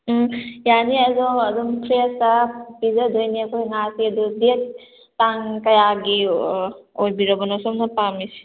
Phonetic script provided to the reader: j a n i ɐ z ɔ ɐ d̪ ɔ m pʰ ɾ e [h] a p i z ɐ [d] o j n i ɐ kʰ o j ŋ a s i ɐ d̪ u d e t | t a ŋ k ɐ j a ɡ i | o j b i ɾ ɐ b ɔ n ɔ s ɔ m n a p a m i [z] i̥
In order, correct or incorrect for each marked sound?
incorrect: s, correct, incorrect: s

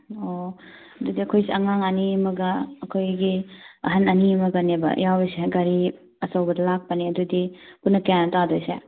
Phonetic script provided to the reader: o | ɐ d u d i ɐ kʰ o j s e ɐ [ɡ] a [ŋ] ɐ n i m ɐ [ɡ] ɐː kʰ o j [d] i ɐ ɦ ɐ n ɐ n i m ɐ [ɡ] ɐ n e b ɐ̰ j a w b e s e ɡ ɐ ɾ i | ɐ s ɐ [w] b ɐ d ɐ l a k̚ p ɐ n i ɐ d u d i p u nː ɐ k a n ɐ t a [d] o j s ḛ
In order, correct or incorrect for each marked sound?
incorrect: ŋ, correct, correct, incorrect: ɡ, correct, correct, correct

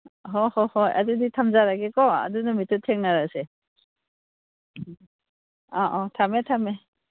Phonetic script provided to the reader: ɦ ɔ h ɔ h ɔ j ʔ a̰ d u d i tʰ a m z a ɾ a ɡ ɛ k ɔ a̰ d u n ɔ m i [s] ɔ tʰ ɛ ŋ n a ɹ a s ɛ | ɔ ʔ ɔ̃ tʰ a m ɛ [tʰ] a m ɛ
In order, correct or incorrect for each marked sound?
incorrect: t, correct

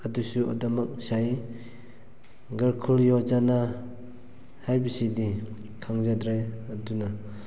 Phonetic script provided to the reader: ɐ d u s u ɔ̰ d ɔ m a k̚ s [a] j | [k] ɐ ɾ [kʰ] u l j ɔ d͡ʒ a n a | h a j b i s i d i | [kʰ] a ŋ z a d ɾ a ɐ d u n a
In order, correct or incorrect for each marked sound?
correct, incorrect: ɡ, correct, correct

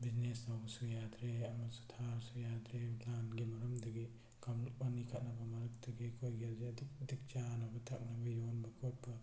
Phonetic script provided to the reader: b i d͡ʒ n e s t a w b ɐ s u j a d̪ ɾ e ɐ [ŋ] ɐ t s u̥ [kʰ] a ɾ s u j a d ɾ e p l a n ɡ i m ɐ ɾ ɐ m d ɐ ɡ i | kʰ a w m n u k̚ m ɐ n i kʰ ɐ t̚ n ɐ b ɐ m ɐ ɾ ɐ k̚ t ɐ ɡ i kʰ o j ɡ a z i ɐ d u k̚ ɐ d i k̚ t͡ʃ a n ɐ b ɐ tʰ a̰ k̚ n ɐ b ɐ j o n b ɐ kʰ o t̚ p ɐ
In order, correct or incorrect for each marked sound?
incorrect: m, incorrect: tʰ

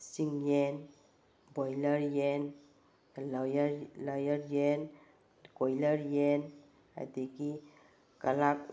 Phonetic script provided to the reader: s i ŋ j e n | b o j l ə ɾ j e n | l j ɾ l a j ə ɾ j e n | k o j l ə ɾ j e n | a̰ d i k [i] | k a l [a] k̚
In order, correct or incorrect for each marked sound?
correct, correct

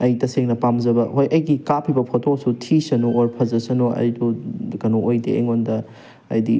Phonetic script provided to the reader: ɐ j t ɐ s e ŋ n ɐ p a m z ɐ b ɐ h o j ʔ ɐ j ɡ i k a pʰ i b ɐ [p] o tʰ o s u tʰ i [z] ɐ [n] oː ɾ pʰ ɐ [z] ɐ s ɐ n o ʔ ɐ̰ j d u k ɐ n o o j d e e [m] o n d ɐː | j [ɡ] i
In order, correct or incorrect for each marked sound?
incorrect: pʰ, incorrect: s, correct, correct, incorrect: ŋ, incorrect: d

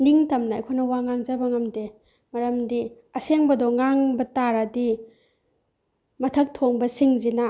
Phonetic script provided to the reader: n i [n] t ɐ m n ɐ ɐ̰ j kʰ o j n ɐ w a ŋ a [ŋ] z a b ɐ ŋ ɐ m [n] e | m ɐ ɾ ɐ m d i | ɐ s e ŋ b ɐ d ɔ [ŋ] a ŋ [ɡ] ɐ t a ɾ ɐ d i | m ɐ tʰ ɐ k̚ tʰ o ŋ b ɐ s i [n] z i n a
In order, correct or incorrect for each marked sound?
incorrect: ŋ, correct, incorrect: d, correct, incorrect: b, incorrect: ŋ

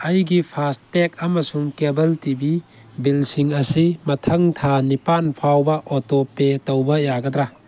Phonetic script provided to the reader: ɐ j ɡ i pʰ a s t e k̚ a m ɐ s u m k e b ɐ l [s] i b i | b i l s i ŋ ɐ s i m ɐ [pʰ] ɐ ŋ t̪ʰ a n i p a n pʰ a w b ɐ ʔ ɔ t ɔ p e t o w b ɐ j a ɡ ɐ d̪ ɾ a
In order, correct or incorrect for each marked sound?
incorrect: t, incorrect: tʰ

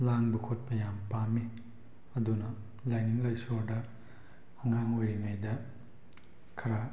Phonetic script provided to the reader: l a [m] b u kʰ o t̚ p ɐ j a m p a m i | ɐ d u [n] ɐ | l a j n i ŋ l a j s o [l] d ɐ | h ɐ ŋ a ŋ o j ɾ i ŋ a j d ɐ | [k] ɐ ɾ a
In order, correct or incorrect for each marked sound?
incorrect: ŋ, correct, incorrect: ɾ, incorrect: kʰ

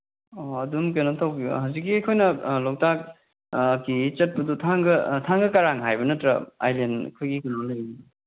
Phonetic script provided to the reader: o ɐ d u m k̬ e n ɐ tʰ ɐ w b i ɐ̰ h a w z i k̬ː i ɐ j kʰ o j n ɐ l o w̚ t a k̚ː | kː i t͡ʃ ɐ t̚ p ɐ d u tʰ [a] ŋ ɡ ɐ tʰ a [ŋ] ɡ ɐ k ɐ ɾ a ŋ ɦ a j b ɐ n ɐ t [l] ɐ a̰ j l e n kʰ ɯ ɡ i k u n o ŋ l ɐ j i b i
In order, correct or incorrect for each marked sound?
correct, correct, incorrect: ɾ

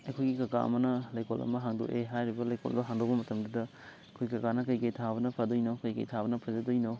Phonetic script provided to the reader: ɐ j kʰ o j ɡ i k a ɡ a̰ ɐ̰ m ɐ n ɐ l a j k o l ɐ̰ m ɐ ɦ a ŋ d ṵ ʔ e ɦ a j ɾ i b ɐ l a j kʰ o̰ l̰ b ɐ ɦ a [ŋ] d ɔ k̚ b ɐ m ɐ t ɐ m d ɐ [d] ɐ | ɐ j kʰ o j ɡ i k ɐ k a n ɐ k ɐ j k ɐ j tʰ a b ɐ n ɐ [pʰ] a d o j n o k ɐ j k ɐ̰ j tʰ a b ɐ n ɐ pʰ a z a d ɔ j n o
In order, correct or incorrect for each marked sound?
correct, correct, correct

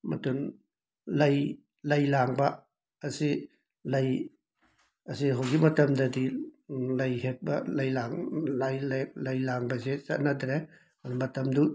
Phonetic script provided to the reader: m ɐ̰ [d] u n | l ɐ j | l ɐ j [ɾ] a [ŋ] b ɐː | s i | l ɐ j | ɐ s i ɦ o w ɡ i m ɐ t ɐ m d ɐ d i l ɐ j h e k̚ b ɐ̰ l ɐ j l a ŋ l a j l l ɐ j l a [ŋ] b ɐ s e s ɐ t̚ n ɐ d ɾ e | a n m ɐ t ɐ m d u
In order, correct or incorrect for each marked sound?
incorrect: t, incorrect: l, correct, correct

